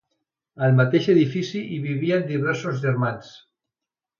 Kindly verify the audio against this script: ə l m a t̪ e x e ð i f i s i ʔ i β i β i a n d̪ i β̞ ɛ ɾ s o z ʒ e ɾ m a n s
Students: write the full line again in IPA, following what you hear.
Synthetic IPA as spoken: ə l m a t̪ e ʃ e ð i f i s i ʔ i β i β i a n d̪ i β̞ ɛ ɾ s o z ʒ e ɾ m a n s